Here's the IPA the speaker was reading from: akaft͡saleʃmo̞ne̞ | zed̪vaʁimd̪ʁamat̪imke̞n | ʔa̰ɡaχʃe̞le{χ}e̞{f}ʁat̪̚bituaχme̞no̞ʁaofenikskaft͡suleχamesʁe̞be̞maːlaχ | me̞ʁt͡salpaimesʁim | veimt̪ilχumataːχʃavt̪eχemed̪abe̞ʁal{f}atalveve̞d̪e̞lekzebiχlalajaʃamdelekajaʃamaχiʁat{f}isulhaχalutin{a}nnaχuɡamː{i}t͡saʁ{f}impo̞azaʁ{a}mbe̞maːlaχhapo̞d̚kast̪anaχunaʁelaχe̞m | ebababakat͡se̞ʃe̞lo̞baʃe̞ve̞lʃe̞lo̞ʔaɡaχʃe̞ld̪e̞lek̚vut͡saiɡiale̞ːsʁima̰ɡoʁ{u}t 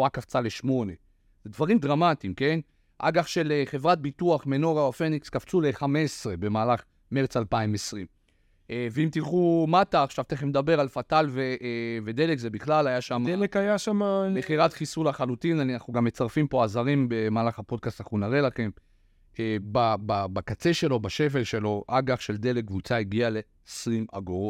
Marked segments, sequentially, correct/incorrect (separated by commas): correct, incorrect, correct, incorrect, correct, incorrect, correct, incorrect, incorrect